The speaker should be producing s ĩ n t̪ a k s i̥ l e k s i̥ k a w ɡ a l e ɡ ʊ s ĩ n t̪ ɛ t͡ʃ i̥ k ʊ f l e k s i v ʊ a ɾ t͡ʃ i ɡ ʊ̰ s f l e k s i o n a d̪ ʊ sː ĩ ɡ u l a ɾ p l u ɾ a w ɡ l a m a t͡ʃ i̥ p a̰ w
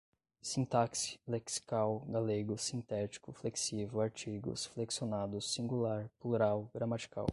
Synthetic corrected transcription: s ĩ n t̪ a k s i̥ l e k s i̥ k a w ɡ a l e ɡ ʊ s ĩ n t̪ ɛ t͡ʃ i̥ k ʊ f l e k s i v ʊ a ɾ t͡ʃ i ɡ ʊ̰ s f l e k s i o n a d̪ ʊ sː ĩ ɡ u l a ɾ p l u ɾ a w ɡ ɾ a m a t͡ʃ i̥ k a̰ w

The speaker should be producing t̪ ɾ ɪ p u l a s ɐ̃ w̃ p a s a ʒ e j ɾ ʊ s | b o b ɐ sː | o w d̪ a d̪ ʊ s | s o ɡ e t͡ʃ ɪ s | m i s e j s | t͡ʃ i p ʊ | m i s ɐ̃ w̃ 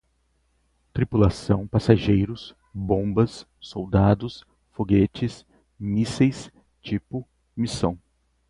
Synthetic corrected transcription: t̪ ɾ i p u l a s ɐ̃ w̃ p a s a ʒ e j ɾ ʊ s | b õ b ɐ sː | o w d̪ a d̪ ʊ s | f o ɡ e t͡ʃ ɪ s | m i s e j s | t͡ʃ i p ʊ | m i s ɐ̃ w̃

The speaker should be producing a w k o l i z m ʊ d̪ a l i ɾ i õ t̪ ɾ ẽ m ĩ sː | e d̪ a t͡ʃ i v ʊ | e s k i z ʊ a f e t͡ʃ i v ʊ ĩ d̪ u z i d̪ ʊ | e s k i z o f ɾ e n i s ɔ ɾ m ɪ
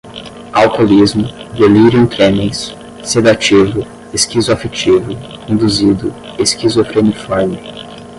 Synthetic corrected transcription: a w k o l i z m ʊ d̪ e l i ɾ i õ t̪ ɾ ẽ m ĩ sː | e d̪ a t͡ʃ i v ʊ | e s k i z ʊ a f e t͡ʃ i v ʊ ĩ d̪ u z i d̪ ʊ | e s k i z o f ɾ e n i f ɔ ɾ m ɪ

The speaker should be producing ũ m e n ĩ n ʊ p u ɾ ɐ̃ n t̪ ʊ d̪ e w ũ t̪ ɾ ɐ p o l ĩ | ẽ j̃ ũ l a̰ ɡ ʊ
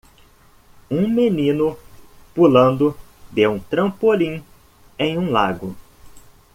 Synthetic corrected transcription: ũ m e n ĩ n ʊ p u l ɐ̃ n d̪ ʊ d̪ e w ũ t̪ ɾ ɐ̃ p o l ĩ | ẽ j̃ ũ l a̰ ɡ ʊ

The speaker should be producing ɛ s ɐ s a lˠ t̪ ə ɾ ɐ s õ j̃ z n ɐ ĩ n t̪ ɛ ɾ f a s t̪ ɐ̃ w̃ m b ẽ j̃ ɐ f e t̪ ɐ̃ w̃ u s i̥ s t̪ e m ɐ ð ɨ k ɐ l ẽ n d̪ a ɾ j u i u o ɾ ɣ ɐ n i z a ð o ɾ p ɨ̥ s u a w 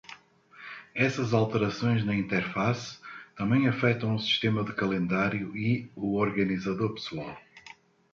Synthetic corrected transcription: ɛ s ɐ z a lˠ t̪ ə ɾ ɐ s õ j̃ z n ɐ ĩ n t̪ ɛ ɾ f a s t̪ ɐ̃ m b ẽ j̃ ɐ f ɛ t̪ ɐ̃ w̃ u s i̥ ʃ t̪ e m ɐ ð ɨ k ɐ l ẽ n d̪ a ɾ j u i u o ɾ ɣ ɐ n i z ɐ ð o ɾ p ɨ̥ s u a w

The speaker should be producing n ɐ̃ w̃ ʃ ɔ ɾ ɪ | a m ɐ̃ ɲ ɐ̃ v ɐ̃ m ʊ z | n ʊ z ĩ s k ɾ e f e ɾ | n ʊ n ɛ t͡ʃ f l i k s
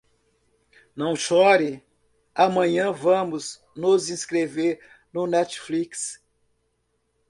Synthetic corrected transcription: n ɐ̃ w̃ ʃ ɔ ɾ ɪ | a m ɐ̃ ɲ ɐ̃ v ɐ̃ m ʊ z | n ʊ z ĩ s k ɾ e v e ɾ | n ʊ n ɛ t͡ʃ f l i k s

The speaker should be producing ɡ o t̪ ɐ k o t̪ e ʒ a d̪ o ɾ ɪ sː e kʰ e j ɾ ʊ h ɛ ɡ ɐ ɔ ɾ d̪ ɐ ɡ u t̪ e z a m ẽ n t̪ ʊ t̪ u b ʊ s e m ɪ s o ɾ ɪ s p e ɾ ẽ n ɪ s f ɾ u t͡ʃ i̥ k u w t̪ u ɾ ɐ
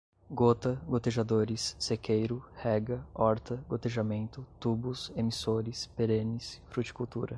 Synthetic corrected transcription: ɡ o t̪ ɐ ɡ o t̪ e ʒ a d̪ o ɾ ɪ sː e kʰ e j ɾ ʊ h ɛ ɡ ɐ ɔ ɾ t̪ ɐ ɡ o t̪ e ʒ a m ẽ n t̪ ʊ t̪ u b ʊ s e m i s o ɾ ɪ s p e ɾ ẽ n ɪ s f ɾ u t͡ʃ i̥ k u w t̪ u ɾ ɐ

